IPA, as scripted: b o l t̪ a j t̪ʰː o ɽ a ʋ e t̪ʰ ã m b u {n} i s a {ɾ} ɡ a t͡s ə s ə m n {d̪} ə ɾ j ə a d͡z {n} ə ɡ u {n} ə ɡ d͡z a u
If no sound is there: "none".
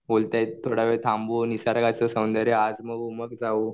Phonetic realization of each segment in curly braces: n, ɾ, d̪, m, m

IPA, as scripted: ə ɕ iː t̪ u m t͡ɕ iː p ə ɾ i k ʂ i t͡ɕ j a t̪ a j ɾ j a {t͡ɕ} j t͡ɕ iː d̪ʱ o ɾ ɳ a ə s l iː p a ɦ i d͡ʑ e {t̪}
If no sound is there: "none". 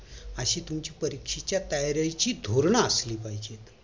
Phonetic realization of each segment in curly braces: none, t̪

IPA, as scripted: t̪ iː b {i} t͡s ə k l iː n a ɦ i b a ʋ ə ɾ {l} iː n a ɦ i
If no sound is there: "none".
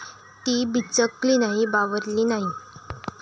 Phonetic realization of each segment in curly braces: i, l

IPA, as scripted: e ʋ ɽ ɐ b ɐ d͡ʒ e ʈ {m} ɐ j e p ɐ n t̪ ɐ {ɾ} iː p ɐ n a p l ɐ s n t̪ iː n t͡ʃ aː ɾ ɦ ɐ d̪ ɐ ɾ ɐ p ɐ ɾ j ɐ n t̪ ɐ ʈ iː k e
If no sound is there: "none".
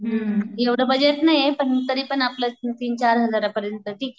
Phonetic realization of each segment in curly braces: n, ɾ

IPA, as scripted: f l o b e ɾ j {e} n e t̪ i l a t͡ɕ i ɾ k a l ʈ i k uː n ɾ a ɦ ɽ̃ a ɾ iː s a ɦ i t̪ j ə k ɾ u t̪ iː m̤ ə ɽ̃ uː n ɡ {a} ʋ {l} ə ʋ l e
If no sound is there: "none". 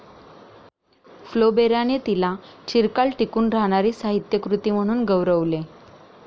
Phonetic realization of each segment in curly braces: a, ə, ɾ

